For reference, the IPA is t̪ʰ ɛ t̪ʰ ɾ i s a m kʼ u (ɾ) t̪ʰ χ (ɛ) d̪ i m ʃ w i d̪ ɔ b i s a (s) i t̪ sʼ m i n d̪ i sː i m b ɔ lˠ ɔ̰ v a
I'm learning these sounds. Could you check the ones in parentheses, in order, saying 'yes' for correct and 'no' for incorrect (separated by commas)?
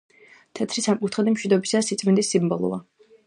no, yes, yes